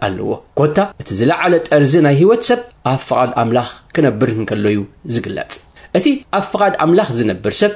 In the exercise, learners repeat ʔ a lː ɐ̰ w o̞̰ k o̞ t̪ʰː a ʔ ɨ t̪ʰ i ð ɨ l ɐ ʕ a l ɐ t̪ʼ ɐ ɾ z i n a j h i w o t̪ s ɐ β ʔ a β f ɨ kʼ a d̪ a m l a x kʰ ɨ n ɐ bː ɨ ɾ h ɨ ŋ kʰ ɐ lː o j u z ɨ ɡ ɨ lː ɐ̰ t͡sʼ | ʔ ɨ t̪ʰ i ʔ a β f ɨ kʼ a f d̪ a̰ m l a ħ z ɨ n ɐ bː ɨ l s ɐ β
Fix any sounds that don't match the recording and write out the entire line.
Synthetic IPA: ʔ a lː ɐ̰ w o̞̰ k o̞ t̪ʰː a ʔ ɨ t̪ʰ i z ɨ l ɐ ʕ a l ɐ t̪ʼ ɐ ɾ z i n a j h i w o t̪ s ɐ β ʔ a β f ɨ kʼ a d̪ a m l a x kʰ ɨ n ɐ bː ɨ ɾ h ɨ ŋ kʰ ɐ lː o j u z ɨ ɡ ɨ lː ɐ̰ t͡sʼ | ʔ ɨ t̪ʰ i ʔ a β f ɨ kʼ a d̪ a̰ m l a x z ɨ n ɐ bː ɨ ɾ s ɐ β